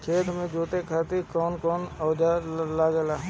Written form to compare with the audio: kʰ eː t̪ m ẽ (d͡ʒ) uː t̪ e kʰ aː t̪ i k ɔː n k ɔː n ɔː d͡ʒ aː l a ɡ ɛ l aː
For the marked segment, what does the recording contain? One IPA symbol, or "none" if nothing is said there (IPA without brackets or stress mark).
d͡ʒ